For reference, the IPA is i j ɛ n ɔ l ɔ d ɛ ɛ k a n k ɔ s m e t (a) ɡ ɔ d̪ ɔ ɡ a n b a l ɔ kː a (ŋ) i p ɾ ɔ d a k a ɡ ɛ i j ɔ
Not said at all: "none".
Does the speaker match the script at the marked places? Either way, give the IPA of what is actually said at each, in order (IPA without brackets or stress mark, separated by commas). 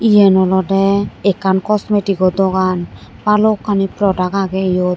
i, n